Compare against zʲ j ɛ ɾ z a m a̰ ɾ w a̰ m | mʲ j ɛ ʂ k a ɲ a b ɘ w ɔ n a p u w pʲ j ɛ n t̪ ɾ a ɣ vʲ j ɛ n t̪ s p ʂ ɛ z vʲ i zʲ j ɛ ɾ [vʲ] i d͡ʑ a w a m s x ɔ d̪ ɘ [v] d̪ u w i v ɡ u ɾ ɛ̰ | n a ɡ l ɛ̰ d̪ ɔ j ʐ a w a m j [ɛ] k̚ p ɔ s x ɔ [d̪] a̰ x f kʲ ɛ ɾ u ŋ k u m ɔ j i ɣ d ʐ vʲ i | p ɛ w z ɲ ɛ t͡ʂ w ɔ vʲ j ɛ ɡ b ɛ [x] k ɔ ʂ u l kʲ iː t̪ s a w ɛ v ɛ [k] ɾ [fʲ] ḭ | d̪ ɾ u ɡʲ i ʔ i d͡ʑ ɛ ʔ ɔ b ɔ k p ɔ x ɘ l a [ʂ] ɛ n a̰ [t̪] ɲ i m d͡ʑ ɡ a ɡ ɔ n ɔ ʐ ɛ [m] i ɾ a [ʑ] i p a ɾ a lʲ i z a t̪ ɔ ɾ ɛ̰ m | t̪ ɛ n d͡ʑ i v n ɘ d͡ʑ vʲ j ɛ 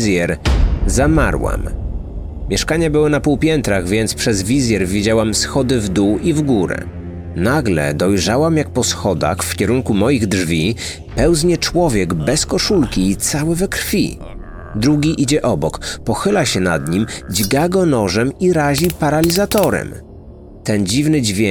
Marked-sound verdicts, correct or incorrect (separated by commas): correct, correct, incorrect, correct, incorrect, correct, correct, incorrect, incorrect, correct, correct